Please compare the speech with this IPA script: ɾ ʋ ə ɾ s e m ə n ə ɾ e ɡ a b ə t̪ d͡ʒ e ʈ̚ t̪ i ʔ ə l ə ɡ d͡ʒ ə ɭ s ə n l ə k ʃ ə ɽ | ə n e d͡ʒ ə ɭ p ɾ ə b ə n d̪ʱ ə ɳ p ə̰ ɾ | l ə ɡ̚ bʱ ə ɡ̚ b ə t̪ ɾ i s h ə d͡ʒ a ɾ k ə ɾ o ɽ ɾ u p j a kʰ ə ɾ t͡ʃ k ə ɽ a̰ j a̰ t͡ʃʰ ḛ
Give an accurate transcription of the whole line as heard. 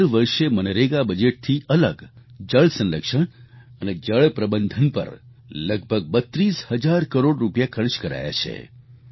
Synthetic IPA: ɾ ʋ ə ɾ ʃ e m ə n ə ɾ e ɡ a b ə d͡ʒ e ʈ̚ t̪ʰ i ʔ ə l ə ɡ d͡ʒ ə ɭ s ə n l ə k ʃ ə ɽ | ə n e d͡ʒ ə ɭ p ɾ ə b ə n d̪ʱ ə n p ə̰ ɾ | l ə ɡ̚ bʱ ə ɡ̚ b ə t̪ ɾ i s h ə d͡ʒ a ɾ k ə ɾ o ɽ ɾ u p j a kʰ ə ɾ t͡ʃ k ə ɾ a̰ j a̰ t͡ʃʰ ḛ